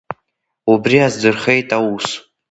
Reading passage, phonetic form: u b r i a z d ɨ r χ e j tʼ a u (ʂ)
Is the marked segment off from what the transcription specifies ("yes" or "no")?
yes